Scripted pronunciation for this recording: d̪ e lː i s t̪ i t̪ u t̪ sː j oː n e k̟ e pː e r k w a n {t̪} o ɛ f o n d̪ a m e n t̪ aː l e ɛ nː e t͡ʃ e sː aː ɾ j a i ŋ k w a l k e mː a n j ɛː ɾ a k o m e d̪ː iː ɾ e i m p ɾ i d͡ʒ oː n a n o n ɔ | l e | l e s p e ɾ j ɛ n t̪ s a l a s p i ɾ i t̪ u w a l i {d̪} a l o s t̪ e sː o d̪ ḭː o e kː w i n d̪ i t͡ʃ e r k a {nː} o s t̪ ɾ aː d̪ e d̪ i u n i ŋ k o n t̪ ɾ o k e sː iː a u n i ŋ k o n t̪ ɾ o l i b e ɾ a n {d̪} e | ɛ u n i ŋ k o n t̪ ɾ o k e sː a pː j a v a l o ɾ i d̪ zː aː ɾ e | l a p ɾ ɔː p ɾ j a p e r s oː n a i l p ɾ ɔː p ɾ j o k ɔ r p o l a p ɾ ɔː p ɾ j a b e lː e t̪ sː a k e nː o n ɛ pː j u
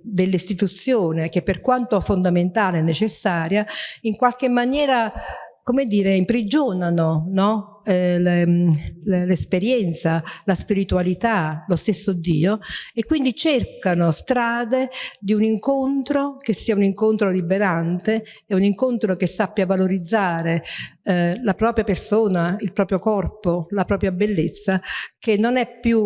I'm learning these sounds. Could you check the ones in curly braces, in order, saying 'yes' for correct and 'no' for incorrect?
yes, no, no, no

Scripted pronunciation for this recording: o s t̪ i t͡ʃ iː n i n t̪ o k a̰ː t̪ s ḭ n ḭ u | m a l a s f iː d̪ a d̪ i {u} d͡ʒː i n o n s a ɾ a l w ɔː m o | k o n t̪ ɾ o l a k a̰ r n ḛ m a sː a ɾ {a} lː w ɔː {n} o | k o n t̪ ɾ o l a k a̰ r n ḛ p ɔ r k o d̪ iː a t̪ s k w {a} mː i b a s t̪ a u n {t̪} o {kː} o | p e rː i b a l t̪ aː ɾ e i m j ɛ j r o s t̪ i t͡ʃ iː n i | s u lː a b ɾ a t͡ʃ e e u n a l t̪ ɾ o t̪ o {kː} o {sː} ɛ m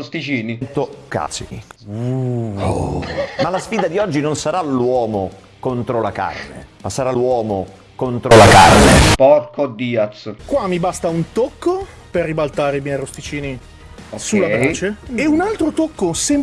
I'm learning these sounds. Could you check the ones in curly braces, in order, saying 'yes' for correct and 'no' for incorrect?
no, yes, no, yes, yes, yes, yes, no

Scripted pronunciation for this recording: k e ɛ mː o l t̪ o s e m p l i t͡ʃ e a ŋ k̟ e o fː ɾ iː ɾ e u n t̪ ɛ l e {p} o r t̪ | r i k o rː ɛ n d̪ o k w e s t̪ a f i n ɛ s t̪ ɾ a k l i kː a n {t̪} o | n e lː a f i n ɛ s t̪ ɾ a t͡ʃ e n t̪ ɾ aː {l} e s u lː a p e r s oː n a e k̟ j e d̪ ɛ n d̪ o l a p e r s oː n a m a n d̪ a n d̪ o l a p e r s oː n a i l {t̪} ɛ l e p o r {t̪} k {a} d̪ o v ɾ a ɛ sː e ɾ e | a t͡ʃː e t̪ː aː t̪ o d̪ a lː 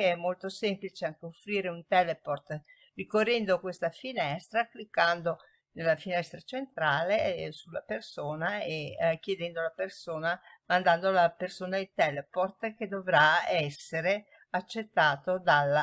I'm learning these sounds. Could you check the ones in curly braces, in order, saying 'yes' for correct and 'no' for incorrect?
yes, no, yes, yes, yes, no

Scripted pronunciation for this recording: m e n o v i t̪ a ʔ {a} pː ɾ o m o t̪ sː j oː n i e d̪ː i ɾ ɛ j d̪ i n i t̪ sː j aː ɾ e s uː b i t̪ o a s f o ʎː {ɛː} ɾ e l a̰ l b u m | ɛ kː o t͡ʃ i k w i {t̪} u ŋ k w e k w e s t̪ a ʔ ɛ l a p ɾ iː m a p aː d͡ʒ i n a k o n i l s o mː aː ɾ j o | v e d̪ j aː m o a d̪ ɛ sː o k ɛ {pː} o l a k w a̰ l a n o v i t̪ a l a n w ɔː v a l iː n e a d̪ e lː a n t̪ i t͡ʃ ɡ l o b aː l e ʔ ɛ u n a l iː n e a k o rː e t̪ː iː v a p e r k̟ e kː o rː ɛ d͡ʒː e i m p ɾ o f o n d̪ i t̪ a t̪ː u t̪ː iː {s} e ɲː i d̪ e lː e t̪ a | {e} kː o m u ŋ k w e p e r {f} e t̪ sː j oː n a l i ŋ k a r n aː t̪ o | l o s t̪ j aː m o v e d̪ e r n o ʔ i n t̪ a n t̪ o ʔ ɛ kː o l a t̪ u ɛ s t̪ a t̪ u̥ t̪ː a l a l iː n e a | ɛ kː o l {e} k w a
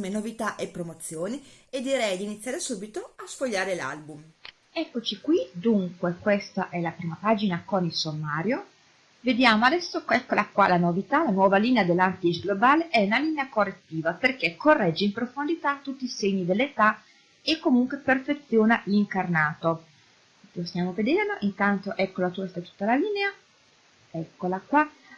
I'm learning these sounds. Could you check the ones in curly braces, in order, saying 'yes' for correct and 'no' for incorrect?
no, no, no, no, yes, yes, yes, no

